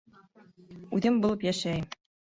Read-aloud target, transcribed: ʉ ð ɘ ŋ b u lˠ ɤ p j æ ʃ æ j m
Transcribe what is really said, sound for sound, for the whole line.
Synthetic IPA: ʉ ð ɘ m b u lˠ ɤ p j æ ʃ æ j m